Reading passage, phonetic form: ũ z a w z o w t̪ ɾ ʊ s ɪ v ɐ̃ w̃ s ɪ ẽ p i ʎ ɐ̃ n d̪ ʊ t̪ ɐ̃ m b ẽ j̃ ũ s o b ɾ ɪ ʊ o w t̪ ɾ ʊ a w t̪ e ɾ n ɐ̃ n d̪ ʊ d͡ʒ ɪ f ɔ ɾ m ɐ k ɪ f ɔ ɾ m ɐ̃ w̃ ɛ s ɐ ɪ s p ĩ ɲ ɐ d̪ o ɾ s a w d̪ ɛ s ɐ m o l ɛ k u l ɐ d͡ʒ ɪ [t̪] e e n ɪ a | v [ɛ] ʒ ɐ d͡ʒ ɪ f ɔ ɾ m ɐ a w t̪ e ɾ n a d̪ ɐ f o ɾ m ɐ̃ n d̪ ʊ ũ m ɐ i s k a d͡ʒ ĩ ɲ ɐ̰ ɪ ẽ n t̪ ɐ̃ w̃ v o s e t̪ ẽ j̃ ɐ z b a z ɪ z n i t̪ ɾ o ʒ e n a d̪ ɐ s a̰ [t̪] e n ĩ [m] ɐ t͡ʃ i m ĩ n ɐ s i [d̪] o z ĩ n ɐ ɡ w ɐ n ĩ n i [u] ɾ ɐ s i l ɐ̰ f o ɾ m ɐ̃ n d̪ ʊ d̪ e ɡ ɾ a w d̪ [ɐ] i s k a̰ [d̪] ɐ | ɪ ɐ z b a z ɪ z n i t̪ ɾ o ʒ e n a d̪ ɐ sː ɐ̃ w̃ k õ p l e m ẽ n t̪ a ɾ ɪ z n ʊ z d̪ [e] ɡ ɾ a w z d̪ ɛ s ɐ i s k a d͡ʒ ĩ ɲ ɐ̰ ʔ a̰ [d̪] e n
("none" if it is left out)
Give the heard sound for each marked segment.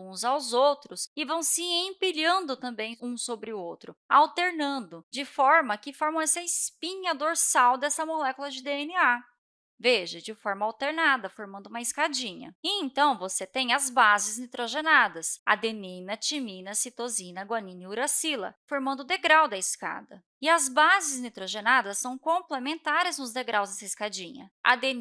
d̪, e, d̪, n, t̪, u, ɐ, d̪, e, d̪

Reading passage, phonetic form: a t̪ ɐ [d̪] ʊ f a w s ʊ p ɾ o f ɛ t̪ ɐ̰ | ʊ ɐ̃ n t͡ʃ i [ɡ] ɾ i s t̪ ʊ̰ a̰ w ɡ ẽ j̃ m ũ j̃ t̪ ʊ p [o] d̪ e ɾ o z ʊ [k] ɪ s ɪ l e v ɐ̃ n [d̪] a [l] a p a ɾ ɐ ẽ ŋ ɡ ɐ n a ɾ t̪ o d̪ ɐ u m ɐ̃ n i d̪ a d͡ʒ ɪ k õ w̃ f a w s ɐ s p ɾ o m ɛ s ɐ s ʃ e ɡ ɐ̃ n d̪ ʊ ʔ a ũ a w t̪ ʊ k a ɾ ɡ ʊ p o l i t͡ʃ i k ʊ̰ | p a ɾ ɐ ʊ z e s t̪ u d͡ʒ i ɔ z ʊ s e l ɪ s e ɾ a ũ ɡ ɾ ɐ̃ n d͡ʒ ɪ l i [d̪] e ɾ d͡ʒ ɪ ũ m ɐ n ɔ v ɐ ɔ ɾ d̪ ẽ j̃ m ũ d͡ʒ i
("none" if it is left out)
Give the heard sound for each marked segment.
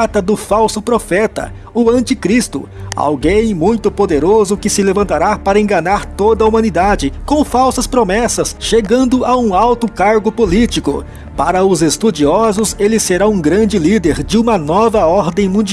d̪, k, o, k, t̪, ɾ, d̪

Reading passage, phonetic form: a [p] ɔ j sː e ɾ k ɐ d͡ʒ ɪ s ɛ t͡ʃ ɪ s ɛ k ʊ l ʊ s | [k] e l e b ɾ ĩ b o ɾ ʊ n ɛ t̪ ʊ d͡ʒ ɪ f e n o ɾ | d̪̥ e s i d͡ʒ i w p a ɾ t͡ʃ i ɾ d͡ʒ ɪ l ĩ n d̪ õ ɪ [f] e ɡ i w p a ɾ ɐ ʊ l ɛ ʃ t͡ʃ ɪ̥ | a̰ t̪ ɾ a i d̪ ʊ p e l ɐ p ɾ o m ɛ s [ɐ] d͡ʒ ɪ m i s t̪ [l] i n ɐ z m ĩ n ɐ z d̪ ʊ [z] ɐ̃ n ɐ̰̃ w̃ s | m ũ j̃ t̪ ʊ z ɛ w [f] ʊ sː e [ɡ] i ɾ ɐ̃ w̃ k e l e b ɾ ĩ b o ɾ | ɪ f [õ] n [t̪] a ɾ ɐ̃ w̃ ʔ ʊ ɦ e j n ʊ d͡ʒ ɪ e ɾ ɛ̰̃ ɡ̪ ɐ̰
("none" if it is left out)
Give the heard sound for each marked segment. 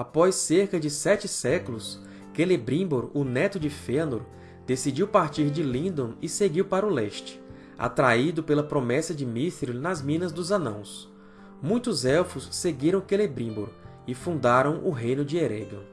p, k, s, ɐ, ɾ, z, f, ɡ, ũ, d̪

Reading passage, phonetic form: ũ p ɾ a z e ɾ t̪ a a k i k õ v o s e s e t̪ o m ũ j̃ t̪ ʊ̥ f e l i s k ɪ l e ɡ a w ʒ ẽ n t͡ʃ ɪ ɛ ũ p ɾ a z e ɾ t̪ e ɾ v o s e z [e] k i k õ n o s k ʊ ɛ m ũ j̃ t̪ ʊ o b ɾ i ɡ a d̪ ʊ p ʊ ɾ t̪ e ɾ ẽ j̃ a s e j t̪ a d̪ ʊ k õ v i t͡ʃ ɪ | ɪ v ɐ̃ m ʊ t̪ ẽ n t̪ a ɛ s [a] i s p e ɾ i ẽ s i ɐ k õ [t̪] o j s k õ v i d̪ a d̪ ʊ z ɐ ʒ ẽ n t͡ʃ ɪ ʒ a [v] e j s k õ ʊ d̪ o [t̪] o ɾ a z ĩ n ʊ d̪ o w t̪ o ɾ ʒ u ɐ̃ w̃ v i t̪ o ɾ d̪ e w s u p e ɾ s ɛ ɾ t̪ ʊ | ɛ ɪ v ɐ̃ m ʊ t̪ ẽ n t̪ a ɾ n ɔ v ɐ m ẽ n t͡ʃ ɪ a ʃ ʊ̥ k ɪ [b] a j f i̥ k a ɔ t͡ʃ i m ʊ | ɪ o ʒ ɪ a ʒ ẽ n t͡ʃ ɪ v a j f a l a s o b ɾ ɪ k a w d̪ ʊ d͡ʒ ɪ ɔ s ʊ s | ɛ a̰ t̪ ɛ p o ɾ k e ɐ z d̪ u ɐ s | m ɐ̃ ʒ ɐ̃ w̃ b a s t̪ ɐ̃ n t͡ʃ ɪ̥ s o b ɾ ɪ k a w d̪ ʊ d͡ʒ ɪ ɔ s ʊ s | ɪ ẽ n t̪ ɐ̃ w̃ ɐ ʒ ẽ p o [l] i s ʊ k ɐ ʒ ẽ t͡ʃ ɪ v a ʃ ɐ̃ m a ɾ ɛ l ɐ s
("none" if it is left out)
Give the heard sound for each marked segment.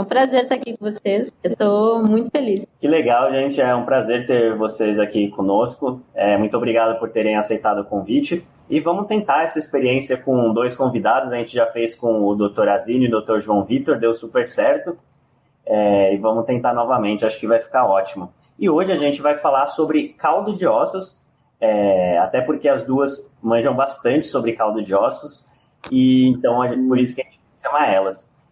a, ɐ, d̪, f, t̪, v, ɾ

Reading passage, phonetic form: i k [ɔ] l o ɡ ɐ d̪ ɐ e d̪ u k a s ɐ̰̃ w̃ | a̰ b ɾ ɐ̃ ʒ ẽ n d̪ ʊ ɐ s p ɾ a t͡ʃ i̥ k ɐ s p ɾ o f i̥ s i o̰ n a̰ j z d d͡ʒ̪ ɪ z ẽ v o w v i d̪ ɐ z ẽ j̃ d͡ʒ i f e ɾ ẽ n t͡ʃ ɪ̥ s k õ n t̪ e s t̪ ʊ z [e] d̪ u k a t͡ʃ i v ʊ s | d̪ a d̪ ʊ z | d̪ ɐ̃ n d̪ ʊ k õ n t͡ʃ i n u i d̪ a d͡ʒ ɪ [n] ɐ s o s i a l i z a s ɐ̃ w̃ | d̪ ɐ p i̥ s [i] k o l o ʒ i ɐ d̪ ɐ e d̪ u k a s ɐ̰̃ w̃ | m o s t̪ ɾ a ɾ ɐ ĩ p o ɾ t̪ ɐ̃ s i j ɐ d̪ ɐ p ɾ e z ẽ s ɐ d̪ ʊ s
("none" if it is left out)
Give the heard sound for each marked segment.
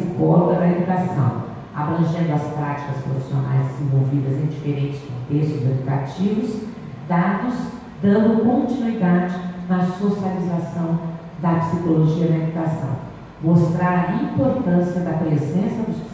ɔ, e, n, i

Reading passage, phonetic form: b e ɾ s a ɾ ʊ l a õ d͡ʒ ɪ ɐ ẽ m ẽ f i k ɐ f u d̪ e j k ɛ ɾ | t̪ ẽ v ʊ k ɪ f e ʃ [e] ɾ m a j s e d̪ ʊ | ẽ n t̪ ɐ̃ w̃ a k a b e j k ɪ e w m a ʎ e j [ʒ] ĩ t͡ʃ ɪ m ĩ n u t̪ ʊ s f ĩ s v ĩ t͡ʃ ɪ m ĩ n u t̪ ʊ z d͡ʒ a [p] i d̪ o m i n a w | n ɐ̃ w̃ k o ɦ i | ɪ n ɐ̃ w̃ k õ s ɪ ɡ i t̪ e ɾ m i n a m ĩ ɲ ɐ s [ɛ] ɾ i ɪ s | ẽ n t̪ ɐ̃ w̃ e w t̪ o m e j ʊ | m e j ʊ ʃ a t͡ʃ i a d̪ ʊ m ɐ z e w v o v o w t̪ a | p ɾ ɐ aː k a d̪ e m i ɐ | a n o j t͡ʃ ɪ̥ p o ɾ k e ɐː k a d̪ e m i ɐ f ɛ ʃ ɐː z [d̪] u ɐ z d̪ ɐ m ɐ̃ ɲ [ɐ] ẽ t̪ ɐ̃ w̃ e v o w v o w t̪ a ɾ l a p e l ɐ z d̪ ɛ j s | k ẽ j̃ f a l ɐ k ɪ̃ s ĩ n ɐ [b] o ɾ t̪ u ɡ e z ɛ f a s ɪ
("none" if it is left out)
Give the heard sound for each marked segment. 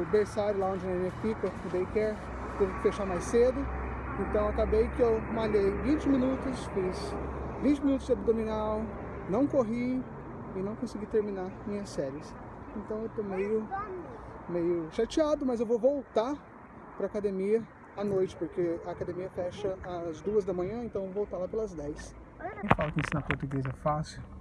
a, v, b, ɛ, d̪, ɐ̃, p

